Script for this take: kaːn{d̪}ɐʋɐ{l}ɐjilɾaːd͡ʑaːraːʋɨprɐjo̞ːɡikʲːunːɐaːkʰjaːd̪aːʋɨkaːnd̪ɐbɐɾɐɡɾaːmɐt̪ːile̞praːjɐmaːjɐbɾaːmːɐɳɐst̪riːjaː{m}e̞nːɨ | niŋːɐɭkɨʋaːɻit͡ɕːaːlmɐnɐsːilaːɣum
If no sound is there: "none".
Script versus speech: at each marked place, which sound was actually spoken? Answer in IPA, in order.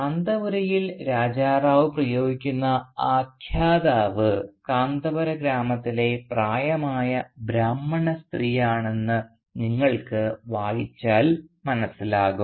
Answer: d̪, ɾ, ɳ

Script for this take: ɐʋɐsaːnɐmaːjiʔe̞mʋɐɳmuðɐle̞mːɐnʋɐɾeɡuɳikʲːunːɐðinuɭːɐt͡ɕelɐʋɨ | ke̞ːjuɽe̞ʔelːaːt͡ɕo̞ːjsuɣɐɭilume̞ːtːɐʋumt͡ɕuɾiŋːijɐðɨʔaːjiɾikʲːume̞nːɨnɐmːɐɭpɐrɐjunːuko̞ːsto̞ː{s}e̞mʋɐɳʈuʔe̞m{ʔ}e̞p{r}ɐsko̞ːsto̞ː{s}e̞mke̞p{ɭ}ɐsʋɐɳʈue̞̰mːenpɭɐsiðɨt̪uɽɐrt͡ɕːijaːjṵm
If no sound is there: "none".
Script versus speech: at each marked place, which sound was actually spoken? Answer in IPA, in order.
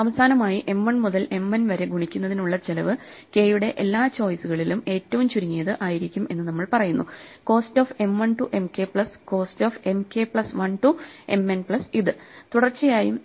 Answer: f, k, ɭ, f, ɭ

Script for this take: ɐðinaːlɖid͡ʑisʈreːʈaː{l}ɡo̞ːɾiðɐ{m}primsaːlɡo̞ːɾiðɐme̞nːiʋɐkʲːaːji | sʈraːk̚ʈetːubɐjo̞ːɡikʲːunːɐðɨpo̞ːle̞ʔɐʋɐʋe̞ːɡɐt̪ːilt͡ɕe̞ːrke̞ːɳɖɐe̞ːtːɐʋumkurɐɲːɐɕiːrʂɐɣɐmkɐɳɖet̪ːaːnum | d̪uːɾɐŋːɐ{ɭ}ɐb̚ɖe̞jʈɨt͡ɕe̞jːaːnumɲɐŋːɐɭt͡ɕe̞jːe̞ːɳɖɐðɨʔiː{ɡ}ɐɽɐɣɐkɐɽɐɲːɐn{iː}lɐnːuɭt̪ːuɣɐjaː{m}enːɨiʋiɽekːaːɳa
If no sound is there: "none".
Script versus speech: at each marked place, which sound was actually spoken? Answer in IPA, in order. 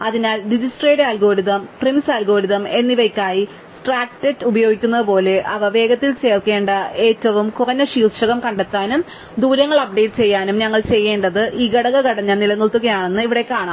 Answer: l, m, ɭ, ɡ, i, ɳ

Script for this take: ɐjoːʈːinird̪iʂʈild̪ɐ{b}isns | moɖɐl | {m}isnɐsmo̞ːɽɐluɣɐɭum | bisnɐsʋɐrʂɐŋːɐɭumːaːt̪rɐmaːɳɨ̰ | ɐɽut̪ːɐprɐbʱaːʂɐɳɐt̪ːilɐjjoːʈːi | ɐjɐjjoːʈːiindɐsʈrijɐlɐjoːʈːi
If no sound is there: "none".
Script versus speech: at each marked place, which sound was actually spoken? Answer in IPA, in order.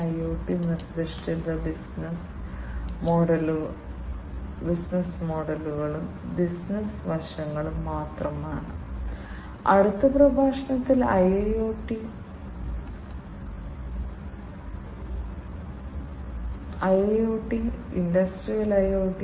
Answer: b, b

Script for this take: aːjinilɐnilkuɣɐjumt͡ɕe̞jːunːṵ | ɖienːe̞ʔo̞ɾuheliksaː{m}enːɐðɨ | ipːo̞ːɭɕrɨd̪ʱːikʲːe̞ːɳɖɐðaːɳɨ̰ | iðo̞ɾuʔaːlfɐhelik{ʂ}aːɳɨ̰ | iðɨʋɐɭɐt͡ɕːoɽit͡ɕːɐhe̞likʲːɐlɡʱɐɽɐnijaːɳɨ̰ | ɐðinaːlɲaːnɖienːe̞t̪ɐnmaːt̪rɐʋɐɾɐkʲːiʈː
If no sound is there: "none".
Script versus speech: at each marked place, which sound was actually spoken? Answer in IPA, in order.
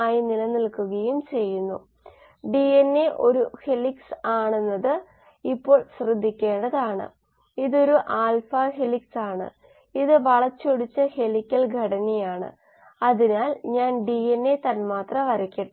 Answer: ɳ, s

